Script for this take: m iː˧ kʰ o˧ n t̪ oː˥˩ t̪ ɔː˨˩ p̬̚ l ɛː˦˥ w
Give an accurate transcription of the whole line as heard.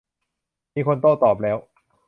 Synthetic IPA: m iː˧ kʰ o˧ n t̪ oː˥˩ t̪ ɔː˨˩ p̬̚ l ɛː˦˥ w